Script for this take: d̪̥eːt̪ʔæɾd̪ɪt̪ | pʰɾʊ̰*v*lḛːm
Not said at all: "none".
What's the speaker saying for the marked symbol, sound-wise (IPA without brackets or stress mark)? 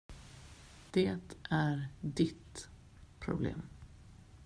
b